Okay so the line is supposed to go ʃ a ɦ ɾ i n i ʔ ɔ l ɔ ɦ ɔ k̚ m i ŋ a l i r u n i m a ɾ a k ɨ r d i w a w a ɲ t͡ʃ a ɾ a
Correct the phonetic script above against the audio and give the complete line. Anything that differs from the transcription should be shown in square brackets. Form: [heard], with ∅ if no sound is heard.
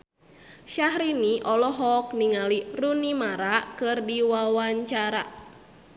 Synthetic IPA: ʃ a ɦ ɾ i n i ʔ ɔ l ɔ ɦ ɔ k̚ [n] i ŋ a l i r u n i m a ɾ a k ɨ r d i w a w a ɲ t͡ʃ a ɾ a